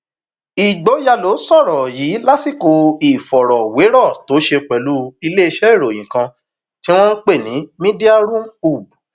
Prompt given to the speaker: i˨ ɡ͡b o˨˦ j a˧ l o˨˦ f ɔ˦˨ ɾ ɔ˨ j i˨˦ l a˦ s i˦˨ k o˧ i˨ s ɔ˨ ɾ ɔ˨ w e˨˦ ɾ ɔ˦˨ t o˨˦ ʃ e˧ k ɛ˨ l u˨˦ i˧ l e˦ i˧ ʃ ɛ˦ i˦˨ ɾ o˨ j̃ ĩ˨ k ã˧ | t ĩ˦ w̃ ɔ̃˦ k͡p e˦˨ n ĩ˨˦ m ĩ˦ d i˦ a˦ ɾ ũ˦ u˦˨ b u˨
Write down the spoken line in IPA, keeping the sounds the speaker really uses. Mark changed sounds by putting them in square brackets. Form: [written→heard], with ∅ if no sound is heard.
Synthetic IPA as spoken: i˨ ɡ͡b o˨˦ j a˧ l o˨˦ [f→s] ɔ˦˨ ɾ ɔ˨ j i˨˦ l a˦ s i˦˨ k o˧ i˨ [s→f] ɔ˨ ɾ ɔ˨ w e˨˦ ɾ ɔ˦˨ t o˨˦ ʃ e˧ [k→k͡p] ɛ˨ l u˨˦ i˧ l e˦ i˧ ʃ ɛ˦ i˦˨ ɾ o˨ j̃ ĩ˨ k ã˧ | t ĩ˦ w̃ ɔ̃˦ k͡p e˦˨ n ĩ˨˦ m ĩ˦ d i˦ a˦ ɾ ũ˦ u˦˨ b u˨

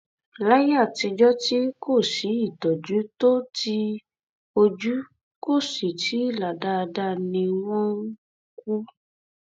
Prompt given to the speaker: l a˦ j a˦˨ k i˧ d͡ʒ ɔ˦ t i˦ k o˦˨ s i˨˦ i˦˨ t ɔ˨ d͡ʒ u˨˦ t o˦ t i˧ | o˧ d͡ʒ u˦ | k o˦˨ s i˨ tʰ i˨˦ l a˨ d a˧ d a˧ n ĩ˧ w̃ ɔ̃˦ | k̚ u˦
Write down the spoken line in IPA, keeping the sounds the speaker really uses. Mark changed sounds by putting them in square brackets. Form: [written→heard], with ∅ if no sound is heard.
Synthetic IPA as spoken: l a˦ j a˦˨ [k→t] i˧ d͡ʒ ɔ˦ t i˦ k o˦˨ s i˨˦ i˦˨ t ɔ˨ d͡ʒ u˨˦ t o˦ t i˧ | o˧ d͡ʒ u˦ | k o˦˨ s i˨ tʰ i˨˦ l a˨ d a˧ d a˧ n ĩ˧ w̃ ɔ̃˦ | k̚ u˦

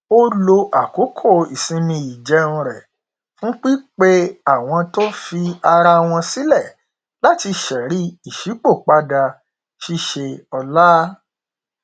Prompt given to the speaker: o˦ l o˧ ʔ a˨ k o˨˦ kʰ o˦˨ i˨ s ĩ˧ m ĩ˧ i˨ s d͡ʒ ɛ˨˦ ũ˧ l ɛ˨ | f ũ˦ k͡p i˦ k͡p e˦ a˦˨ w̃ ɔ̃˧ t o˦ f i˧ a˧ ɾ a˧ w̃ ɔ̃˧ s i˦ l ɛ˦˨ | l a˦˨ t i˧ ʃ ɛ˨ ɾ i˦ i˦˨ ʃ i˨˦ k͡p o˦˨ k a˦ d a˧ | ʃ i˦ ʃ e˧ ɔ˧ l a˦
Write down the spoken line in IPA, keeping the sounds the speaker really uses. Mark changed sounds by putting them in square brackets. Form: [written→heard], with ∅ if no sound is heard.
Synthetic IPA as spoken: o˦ l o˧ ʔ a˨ k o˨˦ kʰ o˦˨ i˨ s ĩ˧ m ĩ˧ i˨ [s→∅] d͡ʒ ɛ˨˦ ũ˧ [l→ɾ] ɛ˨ | f ũ˦ k͡p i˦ k͡p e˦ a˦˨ w̃ ɔ̃˧ t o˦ f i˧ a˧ ɾ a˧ w̃ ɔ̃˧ s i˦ l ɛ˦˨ | l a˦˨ t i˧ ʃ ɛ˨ ɾ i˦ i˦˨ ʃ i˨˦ k͡p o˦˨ [k→k͡p] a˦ d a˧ | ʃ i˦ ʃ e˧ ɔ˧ l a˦

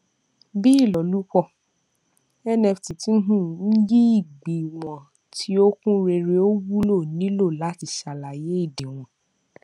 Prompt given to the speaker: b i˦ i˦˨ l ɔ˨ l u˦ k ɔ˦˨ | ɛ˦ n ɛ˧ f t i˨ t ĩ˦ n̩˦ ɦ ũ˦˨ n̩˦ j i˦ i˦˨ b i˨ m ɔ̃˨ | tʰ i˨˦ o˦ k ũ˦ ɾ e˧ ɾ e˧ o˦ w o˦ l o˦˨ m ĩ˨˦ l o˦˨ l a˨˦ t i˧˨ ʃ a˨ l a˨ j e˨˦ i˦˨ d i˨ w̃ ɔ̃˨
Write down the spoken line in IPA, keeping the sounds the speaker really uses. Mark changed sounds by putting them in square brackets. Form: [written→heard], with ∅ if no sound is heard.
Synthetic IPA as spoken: b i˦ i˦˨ l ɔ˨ l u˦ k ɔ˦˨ | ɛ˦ n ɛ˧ f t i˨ t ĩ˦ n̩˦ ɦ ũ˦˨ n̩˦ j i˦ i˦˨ [b→ɡ͡b] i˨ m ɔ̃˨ | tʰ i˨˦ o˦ k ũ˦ ɾ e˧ ɾ e˧ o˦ w [o˦→u˦] l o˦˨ [m→n] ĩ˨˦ l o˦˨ l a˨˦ t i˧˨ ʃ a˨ l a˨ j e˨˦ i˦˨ d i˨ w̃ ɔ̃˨

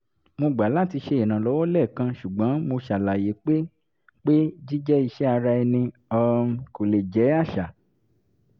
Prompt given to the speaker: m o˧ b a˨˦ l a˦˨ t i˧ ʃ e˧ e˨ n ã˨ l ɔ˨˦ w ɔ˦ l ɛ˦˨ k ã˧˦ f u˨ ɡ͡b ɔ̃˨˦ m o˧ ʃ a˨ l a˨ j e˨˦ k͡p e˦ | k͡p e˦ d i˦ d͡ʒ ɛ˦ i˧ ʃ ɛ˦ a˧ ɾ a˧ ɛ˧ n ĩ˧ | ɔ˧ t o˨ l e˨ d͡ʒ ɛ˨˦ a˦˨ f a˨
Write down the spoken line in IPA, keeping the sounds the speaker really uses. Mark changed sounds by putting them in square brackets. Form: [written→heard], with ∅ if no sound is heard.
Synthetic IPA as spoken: m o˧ [b→ɡ͡b] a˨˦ l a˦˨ t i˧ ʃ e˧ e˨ n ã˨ l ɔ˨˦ w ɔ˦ l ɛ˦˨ k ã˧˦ [f→ʃ] u˨ ɡ͡b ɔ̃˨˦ m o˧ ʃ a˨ l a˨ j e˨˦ k͡p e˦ | k͡p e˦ [d→d͡ʒ] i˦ d͡ʒ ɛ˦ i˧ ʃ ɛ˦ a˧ ɾ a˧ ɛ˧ n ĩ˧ | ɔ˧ [t→k] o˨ l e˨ d͡ʒ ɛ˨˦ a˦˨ [f→ʃ] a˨

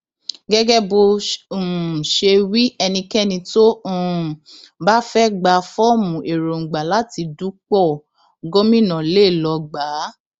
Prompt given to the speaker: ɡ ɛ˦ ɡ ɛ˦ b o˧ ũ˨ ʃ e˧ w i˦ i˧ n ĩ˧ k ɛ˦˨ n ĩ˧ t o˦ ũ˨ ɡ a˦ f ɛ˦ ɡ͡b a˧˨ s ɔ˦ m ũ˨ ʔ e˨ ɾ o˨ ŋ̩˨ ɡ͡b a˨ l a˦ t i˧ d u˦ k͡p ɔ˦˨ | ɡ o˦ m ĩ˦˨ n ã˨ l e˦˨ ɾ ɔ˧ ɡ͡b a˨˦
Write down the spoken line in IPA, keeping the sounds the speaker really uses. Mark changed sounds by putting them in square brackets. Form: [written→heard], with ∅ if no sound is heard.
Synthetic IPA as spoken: ɡ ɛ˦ ɡ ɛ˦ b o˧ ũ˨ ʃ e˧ w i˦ [i˧→ɛ˧] n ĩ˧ k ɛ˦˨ n ĩ˧ t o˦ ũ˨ [ɡ→b] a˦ f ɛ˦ ɡ͡b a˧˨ [s→f] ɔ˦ m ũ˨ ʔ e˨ ɾ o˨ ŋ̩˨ ɡ͡b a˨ l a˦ t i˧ d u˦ k͡p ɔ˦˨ | ɡ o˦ m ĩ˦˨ n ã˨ l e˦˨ [ɾ→l] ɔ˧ ɡ͡b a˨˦

